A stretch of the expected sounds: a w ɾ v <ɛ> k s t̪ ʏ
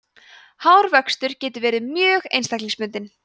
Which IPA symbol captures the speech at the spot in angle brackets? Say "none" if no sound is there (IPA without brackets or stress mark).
œ